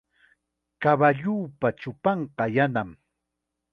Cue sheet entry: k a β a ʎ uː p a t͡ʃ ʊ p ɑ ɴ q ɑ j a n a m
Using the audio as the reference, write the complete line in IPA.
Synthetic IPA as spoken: k a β a ʎ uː p a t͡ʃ ʊ p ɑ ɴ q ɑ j a n a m

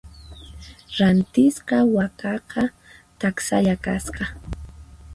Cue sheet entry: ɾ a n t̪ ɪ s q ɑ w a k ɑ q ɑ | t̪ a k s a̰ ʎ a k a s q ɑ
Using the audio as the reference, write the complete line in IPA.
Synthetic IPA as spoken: ɾ a n t̪ ɪ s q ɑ w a k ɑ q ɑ | t̪ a k s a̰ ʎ a k a s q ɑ

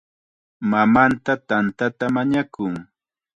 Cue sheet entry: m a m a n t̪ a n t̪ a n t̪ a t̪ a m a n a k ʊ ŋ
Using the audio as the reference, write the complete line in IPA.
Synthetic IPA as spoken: m a m a n t̪ a t̪ a n t̪ a t̪ a m a ɲ a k ʊ ŋ

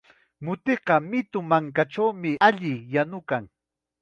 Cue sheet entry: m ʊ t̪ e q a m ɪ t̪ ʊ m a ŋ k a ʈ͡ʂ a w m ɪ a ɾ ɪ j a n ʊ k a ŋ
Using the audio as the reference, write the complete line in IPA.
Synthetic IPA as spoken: m ʊ t̪ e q ɑ m ɪ t̪ ʊ m a ŋ k a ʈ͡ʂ a w m ɪ a ʎ ɪ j a n ʊ k a ŋ

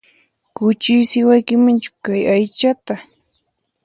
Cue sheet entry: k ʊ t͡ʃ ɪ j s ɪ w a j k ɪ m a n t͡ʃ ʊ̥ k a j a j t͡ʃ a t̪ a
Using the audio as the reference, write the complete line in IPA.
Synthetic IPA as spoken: k ʊ t͡ʃ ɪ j s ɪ w a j k ɪ m a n t͡ʃ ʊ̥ k a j a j t͡ʃ a t̪ a

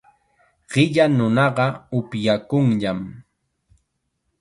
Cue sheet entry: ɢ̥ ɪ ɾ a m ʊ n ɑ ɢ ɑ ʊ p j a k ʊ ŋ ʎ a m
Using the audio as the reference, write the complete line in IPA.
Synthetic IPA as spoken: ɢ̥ ɪ ʎ a n ʊ n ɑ ɢ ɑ ʊ p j a k ʊ ŋ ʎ a m

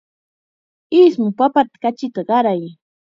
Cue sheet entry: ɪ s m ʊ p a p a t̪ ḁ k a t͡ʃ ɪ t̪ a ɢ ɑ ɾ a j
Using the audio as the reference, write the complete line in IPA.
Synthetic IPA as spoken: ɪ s m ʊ p a p a t̪ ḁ k a t͡ʃ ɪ t̪ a ɢ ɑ ɾ a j

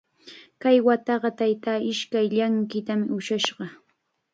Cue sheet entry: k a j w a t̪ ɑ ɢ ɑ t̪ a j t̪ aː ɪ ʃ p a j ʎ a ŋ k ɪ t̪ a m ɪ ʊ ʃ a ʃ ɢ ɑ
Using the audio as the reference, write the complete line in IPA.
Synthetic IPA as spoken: k a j w a t̪ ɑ ɢ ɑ t̪ a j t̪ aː ɪ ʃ k a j ʎ a ŋ k ɪ t̪ a m ɪ ʊ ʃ a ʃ ɢ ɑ

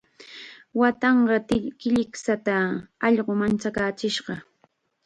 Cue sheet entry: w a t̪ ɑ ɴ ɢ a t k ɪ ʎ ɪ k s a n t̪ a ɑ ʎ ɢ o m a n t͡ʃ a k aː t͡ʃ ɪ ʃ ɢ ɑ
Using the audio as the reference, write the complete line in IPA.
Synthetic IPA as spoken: w a t̪ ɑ ɴ ɢ ɑ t k ɪ ʎ ɪ k s a t̪ a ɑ ʎ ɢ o m a n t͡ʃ a k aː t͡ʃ ɪ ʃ ɢ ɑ

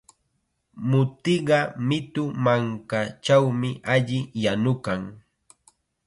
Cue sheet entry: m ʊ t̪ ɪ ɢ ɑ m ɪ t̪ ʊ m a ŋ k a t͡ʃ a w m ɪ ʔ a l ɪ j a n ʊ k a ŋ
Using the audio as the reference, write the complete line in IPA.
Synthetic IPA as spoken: m ʊ t̪ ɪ ɢ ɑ m ɪ t̪ ʊ m a ŋ k a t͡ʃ a w m ɪ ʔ a ʎ ɪ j a n ʊ k a ŋ

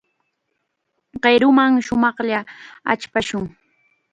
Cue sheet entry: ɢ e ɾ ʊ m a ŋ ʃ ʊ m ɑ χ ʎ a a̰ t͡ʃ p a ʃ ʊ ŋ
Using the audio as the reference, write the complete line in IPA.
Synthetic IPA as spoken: ɢ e ɾ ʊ m a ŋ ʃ ʊ m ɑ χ ʎ a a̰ t͡ʃ p a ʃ ʊ ŋ

